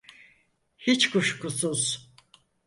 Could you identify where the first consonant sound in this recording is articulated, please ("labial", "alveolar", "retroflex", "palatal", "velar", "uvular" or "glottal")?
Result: glottal